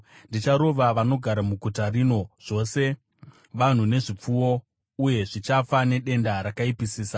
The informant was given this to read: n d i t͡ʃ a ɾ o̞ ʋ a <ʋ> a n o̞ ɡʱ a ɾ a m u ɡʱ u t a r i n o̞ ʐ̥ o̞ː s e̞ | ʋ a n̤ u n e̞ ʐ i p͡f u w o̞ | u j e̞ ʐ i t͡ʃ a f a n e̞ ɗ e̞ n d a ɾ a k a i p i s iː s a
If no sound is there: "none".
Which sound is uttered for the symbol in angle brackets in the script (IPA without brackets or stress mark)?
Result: ʋ